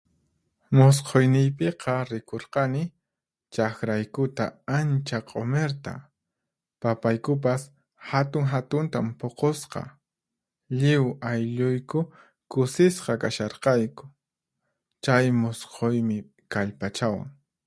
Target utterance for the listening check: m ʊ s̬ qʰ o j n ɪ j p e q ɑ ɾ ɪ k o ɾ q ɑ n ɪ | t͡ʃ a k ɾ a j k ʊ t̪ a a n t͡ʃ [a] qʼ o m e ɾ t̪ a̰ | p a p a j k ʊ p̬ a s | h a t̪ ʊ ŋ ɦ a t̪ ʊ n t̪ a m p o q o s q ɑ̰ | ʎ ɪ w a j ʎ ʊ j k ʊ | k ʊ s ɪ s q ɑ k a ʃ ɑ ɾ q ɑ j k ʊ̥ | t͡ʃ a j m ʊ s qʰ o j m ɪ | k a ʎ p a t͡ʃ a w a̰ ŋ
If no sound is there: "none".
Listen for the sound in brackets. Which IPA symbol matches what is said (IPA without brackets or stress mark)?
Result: a